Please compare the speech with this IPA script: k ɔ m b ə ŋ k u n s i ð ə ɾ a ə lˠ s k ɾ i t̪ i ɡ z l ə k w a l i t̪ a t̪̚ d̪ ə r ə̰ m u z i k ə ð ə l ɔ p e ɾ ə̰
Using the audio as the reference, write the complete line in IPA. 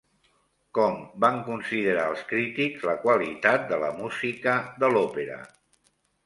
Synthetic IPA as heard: k ɔ m b a ŋ k u n s i ð ə ɾ a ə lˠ s k ɾ i t̪ i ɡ z l ə k w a l i t̪ a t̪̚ d̪ ə l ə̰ m u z i k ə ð ə l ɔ p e ɾ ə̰